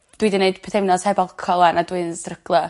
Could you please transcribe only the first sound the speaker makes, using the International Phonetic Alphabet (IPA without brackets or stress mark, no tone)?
d̥